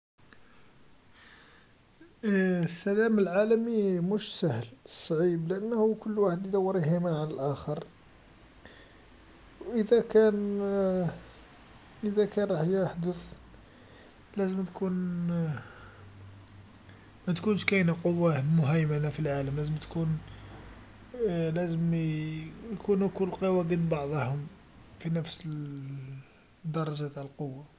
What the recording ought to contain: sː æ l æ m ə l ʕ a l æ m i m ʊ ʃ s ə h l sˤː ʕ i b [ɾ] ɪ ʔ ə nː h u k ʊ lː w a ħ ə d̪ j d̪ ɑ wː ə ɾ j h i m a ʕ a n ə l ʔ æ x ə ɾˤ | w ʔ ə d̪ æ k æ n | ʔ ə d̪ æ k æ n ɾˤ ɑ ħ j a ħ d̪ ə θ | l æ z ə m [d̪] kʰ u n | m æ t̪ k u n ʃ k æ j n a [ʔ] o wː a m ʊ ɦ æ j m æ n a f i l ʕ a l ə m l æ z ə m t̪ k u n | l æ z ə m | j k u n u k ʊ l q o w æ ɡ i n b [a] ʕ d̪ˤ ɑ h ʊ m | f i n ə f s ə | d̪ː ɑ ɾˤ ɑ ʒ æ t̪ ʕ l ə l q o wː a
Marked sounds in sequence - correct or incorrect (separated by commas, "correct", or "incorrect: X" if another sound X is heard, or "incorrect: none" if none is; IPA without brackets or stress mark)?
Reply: incorrect: l, incorrect: t̪, incorrect: q, incorrect: ɑ